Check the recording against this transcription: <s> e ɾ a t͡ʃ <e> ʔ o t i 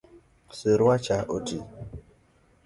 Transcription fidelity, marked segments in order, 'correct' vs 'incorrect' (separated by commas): correct, incorrect